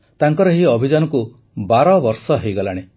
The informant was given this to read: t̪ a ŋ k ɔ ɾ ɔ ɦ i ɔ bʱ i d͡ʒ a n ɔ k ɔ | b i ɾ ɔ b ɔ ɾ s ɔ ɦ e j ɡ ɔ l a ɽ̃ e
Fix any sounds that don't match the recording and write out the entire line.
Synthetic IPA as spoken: t̪ a ŋ k ɔ ɾ ɔ ɦ i ɔ bʱ i d͡ʒ a n ɔ k u | b a ɾ ɔ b ɔ ɾ s ɔ ɦ e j ɡ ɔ l a ɽ̃ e